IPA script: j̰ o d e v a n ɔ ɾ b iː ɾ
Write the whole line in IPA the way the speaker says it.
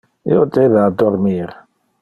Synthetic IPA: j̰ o d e ð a d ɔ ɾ m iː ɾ